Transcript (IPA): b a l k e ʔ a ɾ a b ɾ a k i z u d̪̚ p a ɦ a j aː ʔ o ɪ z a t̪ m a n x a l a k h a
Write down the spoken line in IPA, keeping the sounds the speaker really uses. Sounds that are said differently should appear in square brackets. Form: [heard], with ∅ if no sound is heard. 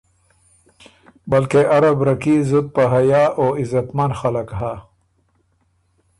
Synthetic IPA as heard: b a l k e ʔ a ɾ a b ɾ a k i z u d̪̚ p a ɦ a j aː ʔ o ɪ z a t̪ m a n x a l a k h a